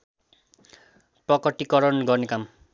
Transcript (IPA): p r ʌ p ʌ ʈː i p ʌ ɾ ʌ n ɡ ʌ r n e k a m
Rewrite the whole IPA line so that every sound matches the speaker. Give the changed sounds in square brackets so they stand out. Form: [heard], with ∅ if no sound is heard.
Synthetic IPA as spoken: p r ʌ [k] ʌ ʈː i [k] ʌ ɾ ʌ n ɡ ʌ r n e k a m

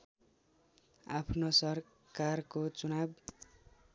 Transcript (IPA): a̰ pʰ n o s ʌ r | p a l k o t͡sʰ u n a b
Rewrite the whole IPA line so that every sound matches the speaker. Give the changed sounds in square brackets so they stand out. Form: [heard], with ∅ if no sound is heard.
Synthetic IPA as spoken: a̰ pʰ n o s ʌ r | [k] a [r] k o [t͡s] u n a b

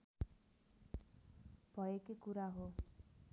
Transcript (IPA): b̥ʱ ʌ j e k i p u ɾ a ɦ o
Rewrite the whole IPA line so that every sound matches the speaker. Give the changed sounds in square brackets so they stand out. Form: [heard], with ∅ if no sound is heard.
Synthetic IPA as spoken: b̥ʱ ʌ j e k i [k] u ɾ a ɦ o

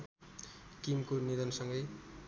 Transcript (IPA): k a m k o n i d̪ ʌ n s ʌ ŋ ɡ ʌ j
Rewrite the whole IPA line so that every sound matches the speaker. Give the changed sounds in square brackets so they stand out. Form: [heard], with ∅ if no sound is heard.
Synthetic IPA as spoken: k [i] m k o n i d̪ ʌ n s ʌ ŋ ɡ ʌ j

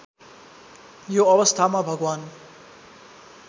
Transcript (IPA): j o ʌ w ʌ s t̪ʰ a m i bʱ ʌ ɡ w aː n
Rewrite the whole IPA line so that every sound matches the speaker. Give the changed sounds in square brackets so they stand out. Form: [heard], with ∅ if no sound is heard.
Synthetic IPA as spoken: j o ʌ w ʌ s t̪ʰ a m [a] bʱ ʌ ɡ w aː n

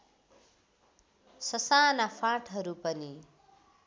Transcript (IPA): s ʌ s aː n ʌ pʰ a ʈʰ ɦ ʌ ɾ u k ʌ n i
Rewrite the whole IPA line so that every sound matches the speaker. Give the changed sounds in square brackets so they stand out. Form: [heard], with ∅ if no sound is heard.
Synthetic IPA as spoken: s ʌ s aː n [a] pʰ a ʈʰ ɦ ʌ ɾ u [p] ʌ n i

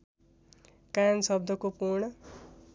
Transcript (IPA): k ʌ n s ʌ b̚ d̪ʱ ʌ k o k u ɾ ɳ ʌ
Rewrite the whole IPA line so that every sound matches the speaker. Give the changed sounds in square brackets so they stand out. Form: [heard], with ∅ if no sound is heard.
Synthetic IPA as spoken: k [a] n s ʌ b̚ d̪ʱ ʌ k o [p] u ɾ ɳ ʌ

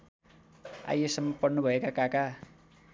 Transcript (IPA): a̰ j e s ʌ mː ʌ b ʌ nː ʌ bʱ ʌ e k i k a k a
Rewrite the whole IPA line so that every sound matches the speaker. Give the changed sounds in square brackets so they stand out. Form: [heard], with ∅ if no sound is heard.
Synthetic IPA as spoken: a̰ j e s ʌ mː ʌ [p] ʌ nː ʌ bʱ ʌ e k [a] k a k a

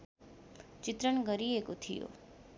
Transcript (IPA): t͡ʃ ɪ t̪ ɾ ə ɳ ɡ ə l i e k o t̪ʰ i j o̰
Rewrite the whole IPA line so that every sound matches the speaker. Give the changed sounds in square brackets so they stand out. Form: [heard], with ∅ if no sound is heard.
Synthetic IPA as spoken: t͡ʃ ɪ t̪ ɾ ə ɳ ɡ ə [ɾ] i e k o t̪ʰ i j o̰

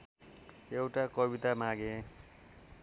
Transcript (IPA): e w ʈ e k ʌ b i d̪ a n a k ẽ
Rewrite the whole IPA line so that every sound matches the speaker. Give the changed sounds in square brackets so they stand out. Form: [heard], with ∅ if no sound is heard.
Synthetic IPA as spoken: e w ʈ [a] k ʌ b i [t̪] a [m] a [ɡ] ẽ

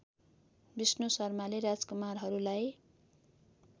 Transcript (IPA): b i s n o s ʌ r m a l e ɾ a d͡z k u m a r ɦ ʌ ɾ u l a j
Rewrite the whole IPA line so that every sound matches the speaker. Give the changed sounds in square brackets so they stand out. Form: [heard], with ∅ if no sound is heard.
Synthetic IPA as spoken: b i s n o s ʌ r m a l e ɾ a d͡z k u m a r ɦ ʌ ɾ u l a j

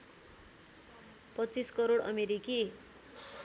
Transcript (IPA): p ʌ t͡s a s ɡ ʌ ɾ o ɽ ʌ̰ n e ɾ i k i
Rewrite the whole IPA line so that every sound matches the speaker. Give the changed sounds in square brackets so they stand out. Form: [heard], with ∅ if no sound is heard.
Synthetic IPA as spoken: p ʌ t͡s [i] s [k] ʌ ɾ o ɽ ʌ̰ [m] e ɾ i k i

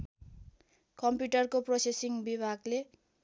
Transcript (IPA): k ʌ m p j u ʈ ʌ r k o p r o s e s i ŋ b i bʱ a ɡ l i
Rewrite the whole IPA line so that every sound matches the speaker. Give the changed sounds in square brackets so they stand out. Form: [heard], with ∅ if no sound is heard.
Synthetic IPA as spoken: k ʌ m p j u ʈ ʌ r k o p r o s e s i ŋ b i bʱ a ɡ l [e]

